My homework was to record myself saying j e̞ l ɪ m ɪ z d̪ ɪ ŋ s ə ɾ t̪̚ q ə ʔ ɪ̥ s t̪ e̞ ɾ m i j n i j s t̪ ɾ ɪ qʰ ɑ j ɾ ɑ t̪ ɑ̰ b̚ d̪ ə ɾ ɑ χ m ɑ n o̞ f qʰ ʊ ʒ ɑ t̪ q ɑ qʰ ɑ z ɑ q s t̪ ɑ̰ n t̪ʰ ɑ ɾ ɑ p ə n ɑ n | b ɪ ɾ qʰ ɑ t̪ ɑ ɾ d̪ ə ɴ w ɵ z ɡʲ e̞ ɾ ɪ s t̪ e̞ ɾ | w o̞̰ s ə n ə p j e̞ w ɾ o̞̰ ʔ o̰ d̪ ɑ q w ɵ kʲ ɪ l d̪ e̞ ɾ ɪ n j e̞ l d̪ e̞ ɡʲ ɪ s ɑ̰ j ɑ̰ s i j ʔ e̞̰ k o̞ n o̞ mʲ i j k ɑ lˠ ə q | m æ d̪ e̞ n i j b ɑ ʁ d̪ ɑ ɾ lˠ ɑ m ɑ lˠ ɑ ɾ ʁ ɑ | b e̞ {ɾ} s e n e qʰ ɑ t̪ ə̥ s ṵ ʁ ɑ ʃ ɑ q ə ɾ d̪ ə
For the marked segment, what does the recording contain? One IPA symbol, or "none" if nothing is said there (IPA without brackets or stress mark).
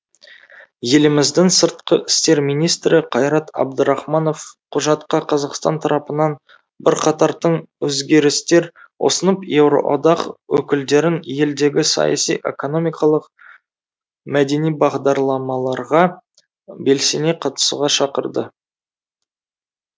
l